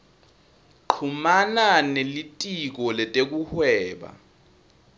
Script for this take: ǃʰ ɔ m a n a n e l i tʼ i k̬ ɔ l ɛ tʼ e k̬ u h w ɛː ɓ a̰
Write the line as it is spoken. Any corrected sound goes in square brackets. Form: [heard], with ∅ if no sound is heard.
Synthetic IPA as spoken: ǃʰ [u] m a n a n e l i tʼ i k̬ ɔ l ɛ tʼ e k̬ u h w ɛː ɓ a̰